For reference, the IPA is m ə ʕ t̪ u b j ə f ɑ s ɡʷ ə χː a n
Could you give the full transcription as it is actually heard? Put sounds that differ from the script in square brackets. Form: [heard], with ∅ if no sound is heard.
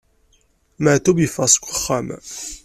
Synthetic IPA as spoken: m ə ʕ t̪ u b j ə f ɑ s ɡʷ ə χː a [m]